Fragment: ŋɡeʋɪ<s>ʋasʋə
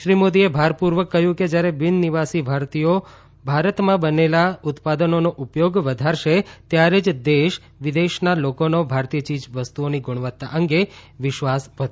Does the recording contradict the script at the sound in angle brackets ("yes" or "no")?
yes